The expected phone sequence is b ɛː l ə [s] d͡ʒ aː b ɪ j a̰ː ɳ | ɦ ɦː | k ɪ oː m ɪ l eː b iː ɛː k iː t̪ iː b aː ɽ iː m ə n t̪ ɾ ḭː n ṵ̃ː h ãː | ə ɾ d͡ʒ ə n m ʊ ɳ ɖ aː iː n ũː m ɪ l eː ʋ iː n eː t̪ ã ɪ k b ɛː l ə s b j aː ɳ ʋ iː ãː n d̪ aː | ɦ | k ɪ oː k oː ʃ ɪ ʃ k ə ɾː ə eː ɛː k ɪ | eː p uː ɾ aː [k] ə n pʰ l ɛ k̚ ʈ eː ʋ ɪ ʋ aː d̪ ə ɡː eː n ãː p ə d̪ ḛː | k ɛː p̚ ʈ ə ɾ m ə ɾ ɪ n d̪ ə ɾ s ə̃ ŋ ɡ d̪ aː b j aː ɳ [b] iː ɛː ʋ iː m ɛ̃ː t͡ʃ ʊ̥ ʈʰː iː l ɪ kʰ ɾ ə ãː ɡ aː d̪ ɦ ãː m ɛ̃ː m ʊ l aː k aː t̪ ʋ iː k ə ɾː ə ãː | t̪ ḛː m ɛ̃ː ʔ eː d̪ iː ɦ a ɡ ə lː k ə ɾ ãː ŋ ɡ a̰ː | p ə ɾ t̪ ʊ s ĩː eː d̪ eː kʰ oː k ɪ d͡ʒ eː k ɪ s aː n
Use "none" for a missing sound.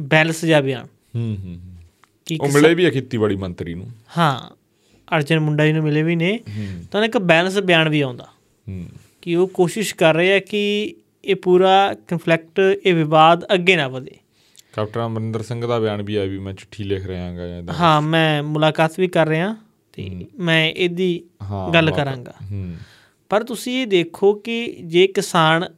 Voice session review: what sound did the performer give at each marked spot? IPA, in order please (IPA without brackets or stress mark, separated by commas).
s, k, b